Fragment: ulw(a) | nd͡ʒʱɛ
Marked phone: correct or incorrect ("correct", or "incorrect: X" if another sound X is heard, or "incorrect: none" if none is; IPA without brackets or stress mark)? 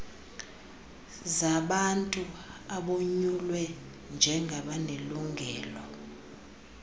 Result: incorrect: ɛ